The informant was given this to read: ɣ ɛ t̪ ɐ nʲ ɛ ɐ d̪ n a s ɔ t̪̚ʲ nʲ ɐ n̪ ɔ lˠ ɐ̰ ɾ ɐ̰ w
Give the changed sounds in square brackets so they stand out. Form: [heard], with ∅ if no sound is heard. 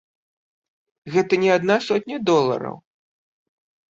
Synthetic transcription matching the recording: ɣ ɛ t̪ ɐ nʲ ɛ [a] d̪ n a s ɔ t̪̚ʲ nʲ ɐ [d̪] ɔ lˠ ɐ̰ ɾ ɐ̰ w